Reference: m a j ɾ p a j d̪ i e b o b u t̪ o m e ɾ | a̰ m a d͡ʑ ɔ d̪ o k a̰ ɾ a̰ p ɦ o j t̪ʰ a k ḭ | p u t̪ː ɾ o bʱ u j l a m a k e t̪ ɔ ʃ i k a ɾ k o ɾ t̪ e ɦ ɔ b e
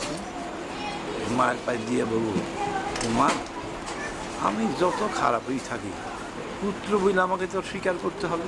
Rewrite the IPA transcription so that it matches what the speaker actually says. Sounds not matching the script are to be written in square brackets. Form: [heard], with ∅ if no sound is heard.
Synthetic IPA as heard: m a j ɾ p a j d̪ i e b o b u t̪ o m [a] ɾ | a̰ m [i] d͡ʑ ɔ [t̪] o [kʰ] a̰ ɾ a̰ p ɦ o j t̪ʰ a k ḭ | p u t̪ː ɾ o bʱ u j l a m a k e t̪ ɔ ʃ i k a ɾ k o ɾ t̪ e ɦ ɔ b e